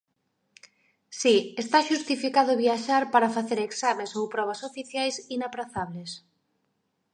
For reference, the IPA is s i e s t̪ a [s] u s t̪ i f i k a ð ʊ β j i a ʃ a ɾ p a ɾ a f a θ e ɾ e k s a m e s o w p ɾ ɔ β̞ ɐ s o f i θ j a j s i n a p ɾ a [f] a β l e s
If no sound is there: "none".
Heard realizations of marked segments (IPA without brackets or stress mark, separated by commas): ʃ, θ